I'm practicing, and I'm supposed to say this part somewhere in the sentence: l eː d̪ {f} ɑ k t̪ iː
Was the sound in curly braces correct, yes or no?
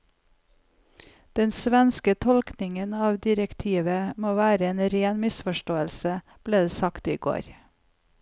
no